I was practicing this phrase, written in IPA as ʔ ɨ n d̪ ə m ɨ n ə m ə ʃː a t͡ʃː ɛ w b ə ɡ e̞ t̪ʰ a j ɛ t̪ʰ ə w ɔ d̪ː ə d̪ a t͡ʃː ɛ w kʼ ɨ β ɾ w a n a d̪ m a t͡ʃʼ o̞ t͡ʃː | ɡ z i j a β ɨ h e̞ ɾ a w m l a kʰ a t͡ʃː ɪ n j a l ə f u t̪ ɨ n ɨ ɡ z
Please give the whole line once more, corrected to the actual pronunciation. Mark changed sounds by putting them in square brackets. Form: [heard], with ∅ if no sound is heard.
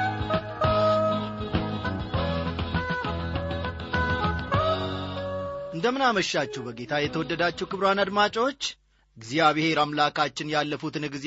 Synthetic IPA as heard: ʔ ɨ n d̪ ə m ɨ n [a] m ə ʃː a t͡ʃː ɛ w b ə ɡ e̞ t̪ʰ a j ɛ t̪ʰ ə w ɔ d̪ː ə d̪ a t͡ʃː ɛ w [k] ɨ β ɾ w a n a d̪ m a t͡ʃʼ o̞ t͡ʃː | ɡ z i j a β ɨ h e̞ ɾ a [∅] m l a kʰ a t͡ʃː ɪ n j a [lː] ə f u t̪ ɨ n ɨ ɡ z